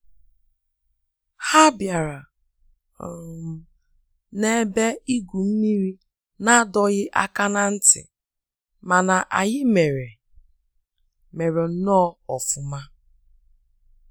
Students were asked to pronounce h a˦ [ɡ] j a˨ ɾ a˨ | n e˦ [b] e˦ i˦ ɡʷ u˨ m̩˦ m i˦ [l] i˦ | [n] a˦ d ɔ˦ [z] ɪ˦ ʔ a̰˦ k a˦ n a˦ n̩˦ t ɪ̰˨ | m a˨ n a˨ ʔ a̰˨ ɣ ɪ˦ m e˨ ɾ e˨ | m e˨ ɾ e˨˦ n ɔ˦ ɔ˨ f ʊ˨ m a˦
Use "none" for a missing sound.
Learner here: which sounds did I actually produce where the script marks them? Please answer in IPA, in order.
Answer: b, b, ɾ, n, ɣ

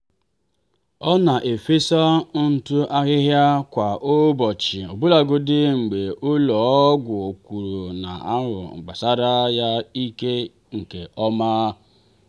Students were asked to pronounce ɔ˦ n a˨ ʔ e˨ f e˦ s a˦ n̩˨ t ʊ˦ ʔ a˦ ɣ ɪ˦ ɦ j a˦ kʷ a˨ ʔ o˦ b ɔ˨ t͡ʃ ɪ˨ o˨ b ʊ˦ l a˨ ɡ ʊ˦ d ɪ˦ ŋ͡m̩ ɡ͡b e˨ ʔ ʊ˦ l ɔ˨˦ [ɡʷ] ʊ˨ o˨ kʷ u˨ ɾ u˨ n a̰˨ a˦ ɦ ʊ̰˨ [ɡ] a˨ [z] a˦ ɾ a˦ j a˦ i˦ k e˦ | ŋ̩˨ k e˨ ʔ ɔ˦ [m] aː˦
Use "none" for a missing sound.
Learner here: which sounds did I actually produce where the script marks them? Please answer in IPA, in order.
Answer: ɡʷ, ɡ͡b, s, m

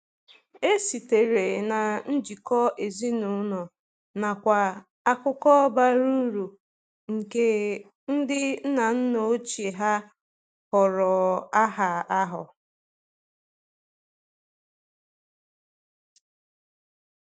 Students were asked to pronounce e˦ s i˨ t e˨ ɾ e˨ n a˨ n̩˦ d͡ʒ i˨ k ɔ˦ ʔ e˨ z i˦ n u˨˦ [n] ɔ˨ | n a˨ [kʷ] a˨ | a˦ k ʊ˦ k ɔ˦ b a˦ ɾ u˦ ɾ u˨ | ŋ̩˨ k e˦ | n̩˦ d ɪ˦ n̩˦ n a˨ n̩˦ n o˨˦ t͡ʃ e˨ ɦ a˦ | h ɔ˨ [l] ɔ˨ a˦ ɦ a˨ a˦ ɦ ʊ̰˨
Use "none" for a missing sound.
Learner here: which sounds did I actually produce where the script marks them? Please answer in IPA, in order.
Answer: n, kʷ, ɾ

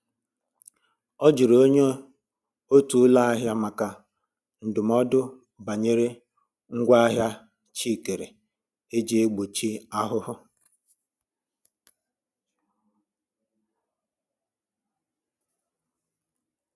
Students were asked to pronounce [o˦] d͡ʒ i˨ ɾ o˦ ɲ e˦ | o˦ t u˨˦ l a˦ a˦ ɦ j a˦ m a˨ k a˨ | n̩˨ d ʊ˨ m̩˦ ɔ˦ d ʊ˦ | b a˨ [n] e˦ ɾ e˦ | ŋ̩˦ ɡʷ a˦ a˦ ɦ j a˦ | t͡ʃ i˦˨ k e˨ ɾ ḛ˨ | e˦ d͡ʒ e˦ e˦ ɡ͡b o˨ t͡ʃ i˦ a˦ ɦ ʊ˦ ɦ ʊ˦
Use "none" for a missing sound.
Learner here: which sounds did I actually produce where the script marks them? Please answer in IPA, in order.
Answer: ɔ˦, ɲ

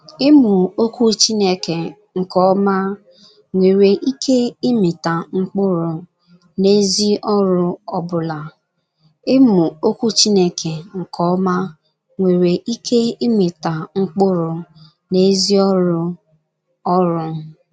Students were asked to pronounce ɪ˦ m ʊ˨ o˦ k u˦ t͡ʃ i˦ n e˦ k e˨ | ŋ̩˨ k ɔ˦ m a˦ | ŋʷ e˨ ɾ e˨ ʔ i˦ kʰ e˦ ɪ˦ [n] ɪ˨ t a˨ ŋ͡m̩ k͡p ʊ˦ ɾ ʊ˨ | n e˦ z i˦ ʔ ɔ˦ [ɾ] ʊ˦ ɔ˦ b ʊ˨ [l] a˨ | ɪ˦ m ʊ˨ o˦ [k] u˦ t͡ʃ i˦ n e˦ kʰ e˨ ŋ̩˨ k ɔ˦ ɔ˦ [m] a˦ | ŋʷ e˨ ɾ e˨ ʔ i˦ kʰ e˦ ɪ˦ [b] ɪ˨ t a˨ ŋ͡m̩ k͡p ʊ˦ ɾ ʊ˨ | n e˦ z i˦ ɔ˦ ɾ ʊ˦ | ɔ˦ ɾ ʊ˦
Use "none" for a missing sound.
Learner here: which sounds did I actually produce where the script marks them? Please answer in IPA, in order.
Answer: m, ɾ, l, k, m, m

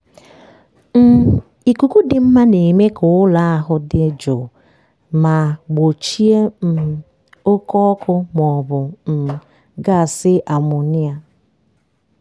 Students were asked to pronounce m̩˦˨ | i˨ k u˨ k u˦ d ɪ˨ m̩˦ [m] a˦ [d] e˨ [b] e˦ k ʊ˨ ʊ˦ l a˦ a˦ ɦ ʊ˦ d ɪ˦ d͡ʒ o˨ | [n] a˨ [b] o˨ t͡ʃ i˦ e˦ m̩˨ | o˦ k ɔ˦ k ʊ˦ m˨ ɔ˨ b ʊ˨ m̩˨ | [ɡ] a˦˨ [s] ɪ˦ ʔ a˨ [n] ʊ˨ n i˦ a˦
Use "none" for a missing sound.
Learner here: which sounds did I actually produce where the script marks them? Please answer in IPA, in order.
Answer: m, n, m, m, ɡ͡b, ɡ, s, m

